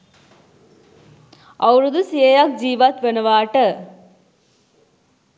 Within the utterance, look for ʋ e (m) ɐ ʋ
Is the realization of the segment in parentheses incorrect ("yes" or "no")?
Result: yes